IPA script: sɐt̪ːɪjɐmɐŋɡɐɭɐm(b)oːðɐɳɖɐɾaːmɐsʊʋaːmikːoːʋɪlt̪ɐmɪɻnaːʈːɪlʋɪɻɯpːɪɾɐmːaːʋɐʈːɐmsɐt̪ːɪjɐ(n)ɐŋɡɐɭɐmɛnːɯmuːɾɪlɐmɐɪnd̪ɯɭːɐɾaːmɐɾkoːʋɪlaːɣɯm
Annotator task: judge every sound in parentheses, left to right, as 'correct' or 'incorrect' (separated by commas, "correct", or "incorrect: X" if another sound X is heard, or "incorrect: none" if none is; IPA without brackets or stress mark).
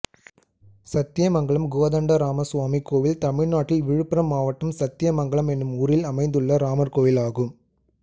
incorrect: ɡ, incorrect: m